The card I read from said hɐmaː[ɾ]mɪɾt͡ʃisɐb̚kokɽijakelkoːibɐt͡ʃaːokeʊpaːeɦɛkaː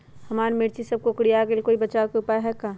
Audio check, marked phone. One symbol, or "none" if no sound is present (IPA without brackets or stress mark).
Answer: ɾ